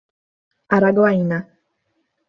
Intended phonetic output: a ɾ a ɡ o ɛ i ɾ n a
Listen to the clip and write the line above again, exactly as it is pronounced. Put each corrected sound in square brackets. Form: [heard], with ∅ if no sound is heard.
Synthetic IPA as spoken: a ɾ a ɡ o [a] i [∅] n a